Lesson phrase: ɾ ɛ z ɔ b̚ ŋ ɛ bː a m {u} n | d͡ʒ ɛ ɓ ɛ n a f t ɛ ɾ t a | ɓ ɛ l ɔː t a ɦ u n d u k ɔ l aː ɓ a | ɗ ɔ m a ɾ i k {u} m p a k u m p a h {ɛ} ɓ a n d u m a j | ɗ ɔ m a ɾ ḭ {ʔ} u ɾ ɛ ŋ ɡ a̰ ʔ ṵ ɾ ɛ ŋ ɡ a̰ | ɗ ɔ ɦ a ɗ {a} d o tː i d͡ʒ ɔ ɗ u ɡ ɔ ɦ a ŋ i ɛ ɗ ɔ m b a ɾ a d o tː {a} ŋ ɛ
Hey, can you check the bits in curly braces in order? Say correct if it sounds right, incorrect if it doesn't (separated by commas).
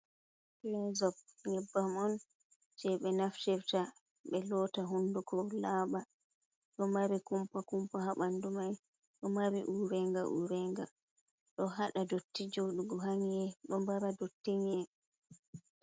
incorrect, correct, incorrect, correct, correct, incorrect